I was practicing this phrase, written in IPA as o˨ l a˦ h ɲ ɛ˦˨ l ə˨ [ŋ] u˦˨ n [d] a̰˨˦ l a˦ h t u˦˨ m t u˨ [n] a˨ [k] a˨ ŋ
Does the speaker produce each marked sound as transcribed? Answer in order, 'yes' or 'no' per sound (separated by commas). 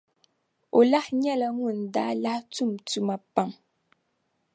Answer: yes, yes, no, no